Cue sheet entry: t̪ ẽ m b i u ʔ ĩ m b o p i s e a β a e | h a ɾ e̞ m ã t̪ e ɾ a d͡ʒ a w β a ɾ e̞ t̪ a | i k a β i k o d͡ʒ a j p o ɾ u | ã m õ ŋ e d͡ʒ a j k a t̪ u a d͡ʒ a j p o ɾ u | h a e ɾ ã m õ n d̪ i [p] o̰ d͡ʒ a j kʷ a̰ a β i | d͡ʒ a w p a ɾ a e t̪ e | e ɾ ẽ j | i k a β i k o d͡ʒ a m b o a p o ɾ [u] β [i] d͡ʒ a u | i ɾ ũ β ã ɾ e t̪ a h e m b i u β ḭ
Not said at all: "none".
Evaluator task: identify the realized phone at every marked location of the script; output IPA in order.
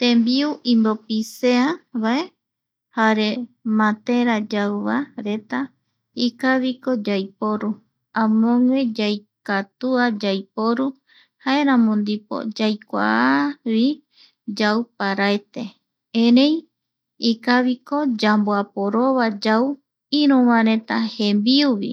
p, o, a

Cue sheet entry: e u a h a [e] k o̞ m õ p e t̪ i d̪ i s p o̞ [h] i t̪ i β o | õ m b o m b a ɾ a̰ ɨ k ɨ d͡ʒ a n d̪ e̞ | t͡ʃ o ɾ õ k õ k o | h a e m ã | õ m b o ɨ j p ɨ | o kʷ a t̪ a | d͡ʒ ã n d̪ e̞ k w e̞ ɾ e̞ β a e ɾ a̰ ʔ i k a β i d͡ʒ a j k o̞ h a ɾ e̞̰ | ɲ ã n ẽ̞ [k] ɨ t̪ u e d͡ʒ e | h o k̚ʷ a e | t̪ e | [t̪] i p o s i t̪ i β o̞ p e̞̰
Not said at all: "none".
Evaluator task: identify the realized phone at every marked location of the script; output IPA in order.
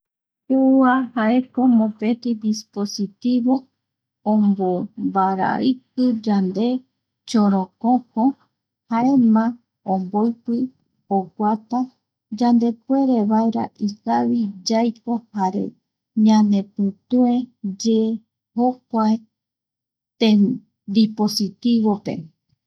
e, s, p, d̪

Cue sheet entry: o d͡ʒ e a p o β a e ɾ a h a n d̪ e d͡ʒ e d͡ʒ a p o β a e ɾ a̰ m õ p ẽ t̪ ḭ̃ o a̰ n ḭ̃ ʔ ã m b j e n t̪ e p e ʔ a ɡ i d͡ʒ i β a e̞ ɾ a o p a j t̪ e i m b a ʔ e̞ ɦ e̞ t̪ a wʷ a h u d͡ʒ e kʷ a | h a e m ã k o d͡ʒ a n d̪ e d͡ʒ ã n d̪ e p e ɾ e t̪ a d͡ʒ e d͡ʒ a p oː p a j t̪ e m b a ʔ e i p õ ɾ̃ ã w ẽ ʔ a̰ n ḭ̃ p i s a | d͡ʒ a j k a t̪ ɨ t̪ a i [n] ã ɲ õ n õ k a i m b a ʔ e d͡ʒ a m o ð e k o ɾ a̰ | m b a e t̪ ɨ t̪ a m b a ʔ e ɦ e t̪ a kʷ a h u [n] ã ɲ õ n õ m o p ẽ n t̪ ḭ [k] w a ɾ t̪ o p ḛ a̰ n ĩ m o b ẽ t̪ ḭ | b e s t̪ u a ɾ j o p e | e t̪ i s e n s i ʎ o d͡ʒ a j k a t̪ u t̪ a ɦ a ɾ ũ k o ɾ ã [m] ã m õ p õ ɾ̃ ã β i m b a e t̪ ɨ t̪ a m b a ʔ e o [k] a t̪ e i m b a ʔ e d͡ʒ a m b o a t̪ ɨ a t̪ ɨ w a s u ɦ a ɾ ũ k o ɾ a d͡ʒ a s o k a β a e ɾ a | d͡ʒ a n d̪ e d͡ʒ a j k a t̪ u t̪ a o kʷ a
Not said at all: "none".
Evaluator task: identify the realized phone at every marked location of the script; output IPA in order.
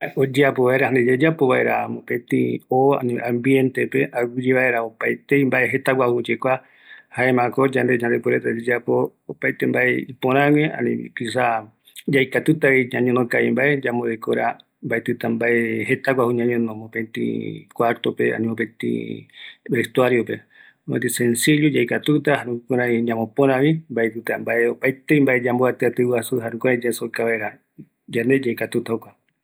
ɲ, ɲ, k, ɲ, p

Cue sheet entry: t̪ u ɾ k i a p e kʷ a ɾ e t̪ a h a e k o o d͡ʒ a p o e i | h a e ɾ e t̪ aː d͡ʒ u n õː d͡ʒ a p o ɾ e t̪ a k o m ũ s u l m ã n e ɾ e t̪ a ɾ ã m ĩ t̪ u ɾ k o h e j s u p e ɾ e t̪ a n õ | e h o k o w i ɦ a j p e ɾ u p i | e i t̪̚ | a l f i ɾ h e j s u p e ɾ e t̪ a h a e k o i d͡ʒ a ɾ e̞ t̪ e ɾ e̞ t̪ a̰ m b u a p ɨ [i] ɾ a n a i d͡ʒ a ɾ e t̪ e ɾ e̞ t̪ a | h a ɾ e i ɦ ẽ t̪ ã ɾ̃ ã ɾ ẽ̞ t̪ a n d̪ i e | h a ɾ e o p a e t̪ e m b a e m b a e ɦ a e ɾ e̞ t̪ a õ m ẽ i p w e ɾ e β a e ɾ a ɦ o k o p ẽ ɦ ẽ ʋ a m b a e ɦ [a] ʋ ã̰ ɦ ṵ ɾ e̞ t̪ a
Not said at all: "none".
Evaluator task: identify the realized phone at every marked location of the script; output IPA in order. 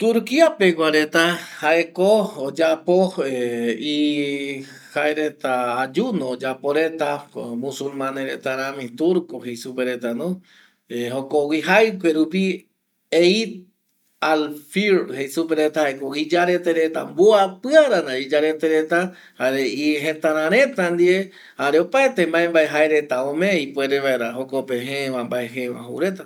a, e

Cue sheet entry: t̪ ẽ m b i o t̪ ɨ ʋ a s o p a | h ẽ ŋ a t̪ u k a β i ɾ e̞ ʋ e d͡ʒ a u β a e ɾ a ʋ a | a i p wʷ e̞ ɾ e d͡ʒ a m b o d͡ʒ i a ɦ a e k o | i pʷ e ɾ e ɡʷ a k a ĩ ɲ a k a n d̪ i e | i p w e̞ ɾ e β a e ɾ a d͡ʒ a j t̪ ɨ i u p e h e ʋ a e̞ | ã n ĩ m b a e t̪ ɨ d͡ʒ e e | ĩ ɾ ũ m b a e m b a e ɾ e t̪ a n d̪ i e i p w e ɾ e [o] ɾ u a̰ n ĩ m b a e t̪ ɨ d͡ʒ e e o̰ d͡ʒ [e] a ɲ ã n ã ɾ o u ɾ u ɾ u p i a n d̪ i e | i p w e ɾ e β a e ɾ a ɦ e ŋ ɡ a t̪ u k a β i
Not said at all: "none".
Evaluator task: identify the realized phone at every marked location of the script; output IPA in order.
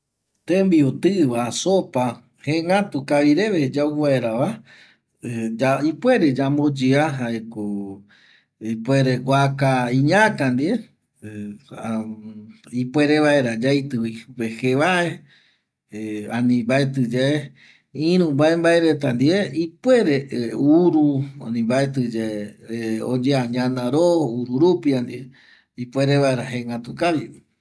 u, e

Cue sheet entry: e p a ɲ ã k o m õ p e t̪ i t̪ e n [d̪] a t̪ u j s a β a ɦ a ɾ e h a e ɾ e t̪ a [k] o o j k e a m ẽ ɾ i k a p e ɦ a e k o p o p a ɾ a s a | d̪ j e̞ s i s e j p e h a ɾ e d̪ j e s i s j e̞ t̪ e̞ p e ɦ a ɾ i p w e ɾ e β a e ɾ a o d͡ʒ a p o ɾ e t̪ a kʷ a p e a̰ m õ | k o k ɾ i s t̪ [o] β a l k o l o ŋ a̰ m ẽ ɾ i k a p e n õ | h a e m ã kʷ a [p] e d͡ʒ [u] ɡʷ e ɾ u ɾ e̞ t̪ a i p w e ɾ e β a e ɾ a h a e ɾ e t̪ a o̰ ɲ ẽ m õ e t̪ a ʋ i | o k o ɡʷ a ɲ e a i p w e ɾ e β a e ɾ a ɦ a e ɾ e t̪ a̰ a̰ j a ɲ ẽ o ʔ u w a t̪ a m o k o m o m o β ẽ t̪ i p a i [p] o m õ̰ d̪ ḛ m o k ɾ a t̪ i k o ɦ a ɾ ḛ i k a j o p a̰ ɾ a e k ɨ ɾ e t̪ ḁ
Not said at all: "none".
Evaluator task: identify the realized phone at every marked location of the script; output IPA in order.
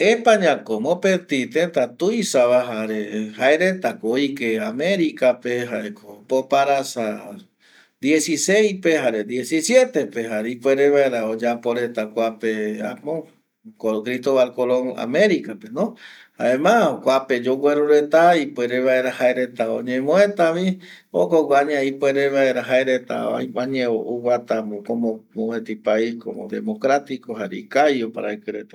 t̪, k, o, p, o, k

